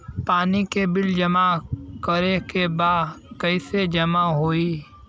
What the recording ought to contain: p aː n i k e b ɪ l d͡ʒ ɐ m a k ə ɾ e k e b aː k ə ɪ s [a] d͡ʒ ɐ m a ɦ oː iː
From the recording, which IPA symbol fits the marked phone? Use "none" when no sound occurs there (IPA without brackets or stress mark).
e